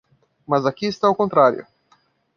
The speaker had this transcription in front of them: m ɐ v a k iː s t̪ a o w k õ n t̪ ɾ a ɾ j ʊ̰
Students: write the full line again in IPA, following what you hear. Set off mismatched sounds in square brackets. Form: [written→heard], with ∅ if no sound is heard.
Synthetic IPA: m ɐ [v→z] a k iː s t̪ a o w k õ n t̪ ɾ a ɾ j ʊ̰